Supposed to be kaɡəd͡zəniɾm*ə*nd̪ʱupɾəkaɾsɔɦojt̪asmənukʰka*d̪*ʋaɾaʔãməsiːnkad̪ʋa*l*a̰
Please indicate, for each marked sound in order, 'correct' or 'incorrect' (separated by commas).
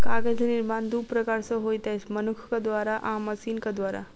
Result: incorrect, correct, incorrect